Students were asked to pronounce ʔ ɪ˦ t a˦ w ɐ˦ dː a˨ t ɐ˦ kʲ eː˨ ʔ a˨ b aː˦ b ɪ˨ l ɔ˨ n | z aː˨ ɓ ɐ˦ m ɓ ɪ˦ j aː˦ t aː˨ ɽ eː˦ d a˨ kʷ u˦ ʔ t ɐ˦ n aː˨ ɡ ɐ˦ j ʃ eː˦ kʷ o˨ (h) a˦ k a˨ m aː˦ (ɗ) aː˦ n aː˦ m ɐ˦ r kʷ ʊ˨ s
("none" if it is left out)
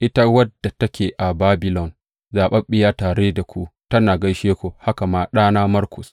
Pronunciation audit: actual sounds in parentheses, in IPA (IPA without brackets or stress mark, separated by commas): h, ɗ